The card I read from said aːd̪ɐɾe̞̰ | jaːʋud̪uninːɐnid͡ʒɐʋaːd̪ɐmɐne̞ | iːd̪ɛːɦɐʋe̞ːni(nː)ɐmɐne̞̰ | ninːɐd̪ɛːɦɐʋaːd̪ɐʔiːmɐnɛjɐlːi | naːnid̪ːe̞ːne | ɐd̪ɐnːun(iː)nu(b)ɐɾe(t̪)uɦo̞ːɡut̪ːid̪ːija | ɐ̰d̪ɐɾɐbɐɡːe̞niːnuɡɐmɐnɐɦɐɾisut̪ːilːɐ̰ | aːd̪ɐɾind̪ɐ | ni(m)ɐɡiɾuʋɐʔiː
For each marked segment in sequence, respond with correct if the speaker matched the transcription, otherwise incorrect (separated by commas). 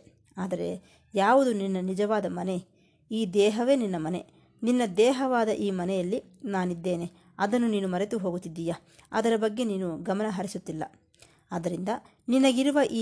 correct, correct, incorrect, correct, incorrect